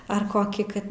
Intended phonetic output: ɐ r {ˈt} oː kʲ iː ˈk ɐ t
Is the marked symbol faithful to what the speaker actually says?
no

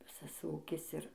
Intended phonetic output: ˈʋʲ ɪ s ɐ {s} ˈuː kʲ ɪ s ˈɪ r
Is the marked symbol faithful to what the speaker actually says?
yes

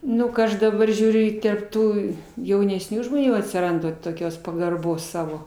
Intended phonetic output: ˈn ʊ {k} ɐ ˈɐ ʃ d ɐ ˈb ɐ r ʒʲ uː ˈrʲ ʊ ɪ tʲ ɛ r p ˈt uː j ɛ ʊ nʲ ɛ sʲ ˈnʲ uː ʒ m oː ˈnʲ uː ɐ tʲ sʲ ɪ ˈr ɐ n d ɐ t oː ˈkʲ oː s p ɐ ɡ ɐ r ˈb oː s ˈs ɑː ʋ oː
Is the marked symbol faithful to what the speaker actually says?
yes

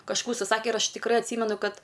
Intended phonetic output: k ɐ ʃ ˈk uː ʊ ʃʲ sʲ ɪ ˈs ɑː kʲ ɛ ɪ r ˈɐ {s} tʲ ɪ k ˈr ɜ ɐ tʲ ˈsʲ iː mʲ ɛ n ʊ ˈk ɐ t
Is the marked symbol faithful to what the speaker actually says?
no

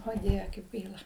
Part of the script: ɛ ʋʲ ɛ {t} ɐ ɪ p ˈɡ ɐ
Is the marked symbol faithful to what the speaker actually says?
no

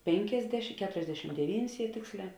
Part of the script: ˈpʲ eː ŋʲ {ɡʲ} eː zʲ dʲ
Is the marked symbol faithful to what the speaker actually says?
no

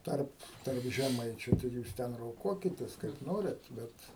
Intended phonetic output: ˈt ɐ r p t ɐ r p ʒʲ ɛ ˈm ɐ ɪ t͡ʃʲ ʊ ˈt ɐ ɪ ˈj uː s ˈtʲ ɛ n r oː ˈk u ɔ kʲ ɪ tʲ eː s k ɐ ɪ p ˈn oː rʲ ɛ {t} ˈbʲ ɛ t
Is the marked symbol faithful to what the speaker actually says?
yes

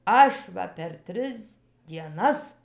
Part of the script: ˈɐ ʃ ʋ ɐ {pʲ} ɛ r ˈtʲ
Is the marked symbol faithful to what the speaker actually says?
yes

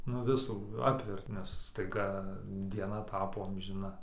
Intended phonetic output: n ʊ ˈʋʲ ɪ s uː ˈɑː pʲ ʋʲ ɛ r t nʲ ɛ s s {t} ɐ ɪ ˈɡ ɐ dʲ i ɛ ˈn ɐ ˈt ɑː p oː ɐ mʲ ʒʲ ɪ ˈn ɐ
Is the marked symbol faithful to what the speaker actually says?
yes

